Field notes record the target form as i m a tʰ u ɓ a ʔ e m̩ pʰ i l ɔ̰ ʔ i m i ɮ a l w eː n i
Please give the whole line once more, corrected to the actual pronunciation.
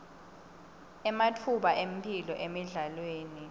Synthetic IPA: ɛ m a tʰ u ɓ a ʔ e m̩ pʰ i l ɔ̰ ʔ e m i ɮ a l w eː n i